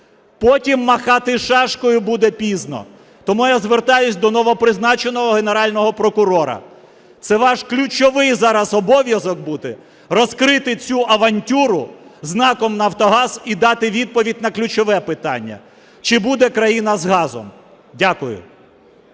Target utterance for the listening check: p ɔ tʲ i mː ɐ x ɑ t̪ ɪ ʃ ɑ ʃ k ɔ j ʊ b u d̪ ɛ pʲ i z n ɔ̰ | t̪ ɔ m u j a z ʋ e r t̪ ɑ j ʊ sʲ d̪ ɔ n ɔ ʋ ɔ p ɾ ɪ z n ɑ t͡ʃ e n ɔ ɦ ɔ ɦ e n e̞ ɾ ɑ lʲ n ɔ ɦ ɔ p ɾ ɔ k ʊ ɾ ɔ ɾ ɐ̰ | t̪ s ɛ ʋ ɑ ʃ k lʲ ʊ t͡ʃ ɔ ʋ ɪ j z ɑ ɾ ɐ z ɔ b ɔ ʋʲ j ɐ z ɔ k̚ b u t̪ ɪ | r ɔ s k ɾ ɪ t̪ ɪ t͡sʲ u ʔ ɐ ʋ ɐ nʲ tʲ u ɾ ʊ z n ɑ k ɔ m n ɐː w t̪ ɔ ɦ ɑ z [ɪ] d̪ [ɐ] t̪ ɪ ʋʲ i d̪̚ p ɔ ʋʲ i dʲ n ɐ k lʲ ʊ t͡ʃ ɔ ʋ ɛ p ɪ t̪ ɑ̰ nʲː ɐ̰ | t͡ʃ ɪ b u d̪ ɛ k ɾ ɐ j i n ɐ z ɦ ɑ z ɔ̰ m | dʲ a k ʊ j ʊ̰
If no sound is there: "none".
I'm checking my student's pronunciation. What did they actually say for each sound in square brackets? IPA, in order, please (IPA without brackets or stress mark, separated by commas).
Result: i, ɑ